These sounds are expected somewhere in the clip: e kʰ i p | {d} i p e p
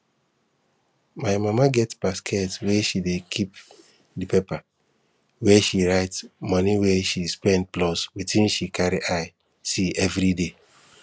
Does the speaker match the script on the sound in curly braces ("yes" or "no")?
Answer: yes